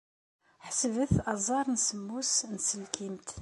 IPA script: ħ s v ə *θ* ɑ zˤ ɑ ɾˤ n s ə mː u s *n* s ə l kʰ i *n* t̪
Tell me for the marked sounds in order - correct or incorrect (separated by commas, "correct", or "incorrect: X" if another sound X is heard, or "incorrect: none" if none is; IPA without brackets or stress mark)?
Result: correct, correct, incorrect: m